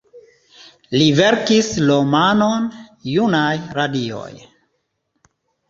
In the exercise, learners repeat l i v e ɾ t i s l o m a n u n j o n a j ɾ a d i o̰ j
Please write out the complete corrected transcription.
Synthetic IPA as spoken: l i v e ɾ k i s l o m a n o n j u n a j ɾ a d i o̰ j